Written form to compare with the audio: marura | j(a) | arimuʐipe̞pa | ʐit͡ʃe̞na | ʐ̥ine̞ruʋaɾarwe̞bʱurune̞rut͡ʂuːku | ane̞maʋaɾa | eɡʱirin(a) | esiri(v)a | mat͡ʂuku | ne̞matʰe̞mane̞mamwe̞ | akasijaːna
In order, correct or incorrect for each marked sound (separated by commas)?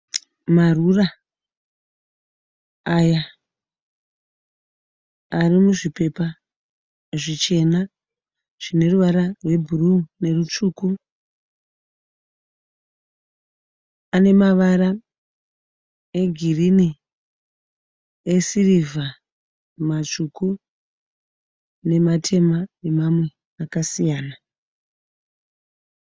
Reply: correct, incorrect, correct